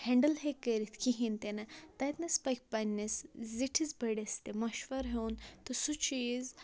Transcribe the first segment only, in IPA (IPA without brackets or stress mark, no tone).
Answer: h